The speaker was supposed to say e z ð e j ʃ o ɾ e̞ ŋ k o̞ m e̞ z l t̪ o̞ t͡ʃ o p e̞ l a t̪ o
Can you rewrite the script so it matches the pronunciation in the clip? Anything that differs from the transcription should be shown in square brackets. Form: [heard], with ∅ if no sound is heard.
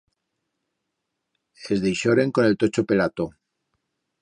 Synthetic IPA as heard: e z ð e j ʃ o ɾ e̞ ŋ k o̞ [n] e̞ [∅] l t̪ o̞ t͡ʃ o p e̞ l a t̪ o